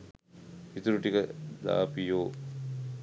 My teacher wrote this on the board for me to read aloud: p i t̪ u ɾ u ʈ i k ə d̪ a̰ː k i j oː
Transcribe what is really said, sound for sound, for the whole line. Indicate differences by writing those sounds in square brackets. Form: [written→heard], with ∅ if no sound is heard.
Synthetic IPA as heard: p i t̪ u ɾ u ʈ i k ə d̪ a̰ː [k→p] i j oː